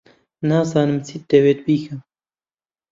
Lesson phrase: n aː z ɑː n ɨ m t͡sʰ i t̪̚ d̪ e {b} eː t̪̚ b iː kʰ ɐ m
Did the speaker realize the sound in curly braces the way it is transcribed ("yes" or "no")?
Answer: no